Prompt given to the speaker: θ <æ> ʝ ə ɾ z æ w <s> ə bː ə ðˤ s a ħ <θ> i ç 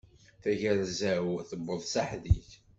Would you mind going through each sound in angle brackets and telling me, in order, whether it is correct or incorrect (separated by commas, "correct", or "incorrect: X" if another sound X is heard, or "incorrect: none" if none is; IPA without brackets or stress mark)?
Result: correct, incorrect: θ, incorrect: ð